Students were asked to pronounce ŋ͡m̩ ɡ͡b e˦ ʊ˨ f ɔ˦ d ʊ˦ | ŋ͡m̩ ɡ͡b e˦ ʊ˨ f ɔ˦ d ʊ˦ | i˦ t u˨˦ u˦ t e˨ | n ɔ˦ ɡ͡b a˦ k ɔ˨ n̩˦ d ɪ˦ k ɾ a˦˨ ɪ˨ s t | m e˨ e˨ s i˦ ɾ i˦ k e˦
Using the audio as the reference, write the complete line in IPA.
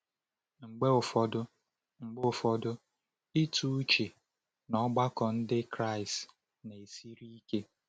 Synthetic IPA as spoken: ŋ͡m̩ ɡ͡b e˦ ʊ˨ f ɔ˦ d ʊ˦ | ŋ͡m̩ ɡ͡b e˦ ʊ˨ f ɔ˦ d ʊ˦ | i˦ t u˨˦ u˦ t͡ʃ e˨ | n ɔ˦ ɡ͡b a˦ k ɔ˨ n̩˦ d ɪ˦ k ɾ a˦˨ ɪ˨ s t | n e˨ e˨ s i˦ ɾ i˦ k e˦